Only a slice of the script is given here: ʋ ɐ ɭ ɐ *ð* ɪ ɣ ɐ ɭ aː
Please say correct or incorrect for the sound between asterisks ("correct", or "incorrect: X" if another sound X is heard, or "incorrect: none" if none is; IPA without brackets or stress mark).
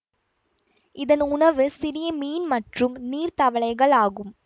incorrect: none